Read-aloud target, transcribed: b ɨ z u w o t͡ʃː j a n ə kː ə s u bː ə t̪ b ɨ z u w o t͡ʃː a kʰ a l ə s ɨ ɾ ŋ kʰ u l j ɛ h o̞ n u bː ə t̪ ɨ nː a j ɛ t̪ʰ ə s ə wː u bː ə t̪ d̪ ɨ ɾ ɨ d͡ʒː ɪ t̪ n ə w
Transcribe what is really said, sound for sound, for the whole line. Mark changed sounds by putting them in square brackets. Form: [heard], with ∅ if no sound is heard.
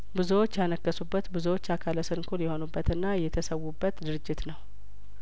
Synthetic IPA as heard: b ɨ z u w o t͡ʃː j a n ə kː ə s u bː ə t̪ b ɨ z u w o t͡ʃː a kʰ a l ə s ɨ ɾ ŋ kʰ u l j ɛ h o̞ n u bː ə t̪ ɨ nː a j ɛ t̪ʰ ə s ə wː u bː ə t̪ d̪ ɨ ɾ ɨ d͡ʒː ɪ t̪ n ə w